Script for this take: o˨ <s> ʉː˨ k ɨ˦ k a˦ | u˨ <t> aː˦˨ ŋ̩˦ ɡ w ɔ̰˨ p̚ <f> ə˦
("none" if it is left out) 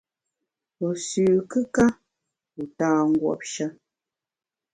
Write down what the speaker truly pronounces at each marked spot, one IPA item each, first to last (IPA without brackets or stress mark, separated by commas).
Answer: s, t, ʃ